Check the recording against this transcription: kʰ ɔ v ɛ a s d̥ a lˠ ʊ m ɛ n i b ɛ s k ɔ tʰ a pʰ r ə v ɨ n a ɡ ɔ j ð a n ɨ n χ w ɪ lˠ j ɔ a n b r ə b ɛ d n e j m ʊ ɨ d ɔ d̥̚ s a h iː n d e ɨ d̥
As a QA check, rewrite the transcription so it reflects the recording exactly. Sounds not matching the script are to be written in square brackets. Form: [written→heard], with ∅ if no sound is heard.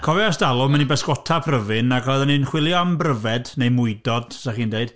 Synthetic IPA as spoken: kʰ ɔ v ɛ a s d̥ a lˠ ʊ m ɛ n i b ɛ s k ɔ tʰ a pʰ r ə v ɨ n a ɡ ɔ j ð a n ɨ n χ w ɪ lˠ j ɔ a [n→m] b r ə [b→v] ɛ d n e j m ʊ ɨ d ɔ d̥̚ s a [h→χ] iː n d e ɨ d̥